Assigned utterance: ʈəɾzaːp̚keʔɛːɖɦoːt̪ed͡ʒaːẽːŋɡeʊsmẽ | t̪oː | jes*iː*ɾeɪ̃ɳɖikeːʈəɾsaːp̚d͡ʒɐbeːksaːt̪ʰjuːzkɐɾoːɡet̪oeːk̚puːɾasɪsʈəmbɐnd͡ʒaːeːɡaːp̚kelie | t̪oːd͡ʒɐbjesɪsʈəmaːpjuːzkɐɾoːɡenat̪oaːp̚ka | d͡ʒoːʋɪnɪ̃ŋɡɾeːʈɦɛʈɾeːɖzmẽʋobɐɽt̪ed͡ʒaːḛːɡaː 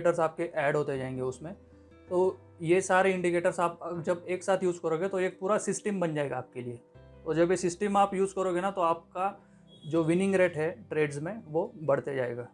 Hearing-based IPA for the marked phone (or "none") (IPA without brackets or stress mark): aː